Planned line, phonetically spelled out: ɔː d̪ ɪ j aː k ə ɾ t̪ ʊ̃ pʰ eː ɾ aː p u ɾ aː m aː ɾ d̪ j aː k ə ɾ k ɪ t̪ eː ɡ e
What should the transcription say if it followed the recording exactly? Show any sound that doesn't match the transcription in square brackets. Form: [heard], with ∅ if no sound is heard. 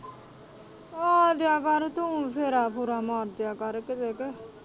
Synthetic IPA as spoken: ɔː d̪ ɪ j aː k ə ɾ t̪ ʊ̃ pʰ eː ɾ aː p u ɾ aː m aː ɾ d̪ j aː k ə ɾ k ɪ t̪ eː [k] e